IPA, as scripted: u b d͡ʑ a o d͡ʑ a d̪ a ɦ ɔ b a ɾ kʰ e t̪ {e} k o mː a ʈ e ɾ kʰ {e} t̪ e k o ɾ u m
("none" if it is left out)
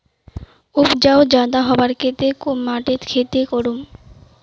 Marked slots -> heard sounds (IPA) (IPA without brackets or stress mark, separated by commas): e, e